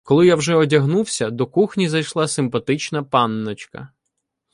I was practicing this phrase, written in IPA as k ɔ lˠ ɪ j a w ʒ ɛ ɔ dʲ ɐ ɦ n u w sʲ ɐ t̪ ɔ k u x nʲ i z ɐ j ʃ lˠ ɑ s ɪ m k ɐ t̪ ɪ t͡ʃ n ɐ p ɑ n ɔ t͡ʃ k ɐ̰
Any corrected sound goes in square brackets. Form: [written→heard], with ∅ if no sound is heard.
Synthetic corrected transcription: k ɔ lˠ ɪ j a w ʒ ɛ ɔ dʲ ɐ ɦ n u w sʲ ɐ [t̪→d̪] ɔ k u x nʲ i z ɐ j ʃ lˠ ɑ s ɪ m [k→p] ɐ t̪ ɪ t͡ʃ n ɐ p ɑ [n→nː] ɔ t͡ʃ k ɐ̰